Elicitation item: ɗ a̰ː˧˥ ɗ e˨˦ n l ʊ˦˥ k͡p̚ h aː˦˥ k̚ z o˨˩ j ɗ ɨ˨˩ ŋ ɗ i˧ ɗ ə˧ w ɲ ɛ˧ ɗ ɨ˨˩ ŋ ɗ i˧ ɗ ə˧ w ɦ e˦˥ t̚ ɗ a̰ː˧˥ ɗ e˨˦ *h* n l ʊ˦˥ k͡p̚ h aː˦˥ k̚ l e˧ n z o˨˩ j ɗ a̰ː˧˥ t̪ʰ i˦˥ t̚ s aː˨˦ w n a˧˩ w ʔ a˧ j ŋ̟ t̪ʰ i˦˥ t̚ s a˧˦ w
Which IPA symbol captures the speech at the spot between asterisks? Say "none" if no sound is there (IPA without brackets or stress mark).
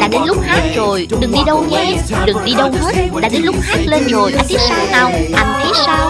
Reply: none